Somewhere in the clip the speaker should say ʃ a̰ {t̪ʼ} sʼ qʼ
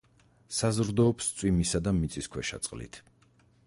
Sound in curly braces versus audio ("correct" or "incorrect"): incorrect